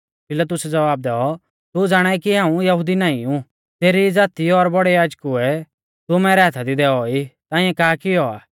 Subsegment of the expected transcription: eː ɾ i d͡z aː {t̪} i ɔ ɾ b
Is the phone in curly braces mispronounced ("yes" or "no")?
no